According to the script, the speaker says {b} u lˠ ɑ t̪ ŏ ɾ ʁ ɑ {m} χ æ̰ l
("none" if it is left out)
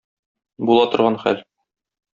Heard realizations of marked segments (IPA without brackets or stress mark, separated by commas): b, n